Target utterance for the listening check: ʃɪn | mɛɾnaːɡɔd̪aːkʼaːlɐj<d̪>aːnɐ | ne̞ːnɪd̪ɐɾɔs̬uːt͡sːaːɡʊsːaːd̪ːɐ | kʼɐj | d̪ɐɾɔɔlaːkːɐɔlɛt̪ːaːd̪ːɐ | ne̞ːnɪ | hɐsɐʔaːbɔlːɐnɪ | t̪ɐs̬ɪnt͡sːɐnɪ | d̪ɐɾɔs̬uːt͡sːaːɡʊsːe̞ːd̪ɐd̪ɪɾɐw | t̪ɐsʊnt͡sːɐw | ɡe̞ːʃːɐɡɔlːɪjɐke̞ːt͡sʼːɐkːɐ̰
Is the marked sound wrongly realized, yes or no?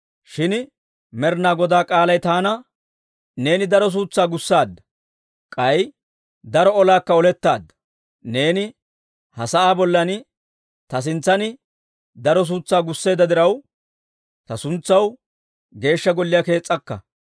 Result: yes